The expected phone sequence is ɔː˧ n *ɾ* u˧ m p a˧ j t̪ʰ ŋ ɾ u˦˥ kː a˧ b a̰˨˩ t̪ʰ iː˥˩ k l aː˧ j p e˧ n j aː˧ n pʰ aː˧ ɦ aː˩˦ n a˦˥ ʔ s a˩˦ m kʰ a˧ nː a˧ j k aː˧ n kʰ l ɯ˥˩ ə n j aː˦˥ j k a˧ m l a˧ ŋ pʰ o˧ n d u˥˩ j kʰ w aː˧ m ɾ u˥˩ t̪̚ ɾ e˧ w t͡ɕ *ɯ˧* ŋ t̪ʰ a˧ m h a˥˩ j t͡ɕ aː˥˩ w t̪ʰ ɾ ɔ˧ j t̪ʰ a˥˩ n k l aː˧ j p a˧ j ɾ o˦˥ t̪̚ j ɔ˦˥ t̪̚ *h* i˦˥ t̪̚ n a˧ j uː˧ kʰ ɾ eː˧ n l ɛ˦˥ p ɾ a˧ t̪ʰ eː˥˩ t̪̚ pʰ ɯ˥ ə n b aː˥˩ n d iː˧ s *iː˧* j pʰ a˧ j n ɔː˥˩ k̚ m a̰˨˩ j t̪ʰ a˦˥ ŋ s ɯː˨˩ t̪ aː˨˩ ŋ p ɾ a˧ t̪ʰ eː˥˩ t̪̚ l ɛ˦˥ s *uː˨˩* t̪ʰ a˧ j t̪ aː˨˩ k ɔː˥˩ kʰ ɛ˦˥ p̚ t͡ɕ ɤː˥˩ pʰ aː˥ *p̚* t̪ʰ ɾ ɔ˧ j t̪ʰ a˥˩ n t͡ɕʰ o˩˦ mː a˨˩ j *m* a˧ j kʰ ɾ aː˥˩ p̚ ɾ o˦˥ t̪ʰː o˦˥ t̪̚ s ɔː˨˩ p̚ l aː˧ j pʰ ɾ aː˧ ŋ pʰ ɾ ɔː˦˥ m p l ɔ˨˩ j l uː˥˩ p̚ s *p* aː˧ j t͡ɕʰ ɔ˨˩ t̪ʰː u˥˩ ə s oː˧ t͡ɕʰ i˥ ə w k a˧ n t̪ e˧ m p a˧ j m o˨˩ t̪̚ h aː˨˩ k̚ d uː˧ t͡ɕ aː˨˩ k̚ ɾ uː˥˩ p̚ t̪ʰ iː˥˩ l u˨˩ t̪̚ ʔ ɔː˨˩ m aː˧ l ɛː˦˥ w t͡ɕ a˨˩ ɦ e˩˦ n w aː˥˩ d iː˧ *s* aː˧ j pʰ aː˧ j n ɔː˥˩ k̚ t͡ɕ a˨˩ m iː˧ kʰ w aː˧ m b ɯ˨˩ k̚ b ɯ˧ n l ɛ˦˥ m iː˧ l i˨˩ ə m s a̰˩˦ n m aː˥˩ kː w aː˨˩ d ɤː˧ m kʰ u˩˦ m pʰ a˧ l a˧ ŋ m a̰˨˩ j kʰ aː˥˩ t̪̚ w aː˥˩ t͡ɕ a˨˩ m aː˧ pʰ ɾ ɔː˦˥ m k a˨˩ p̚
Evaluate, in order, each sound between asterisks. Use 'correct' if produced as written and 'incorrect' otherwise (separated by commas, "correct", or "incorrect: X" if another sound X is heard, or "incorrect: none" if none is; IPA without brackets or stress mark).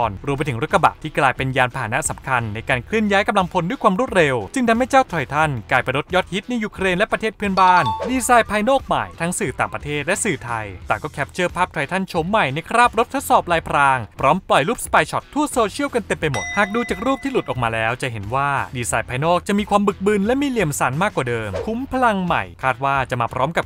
correct, correct, correct, incorrect: aː˧, incorrect: ɯː˨˩, correct, incorrect: n, correct, correct